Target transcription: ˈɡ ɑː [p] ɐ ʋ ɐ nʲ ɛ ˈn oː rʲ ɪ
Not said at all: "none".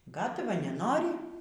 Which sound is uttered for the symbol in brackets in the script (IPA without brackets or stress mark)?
t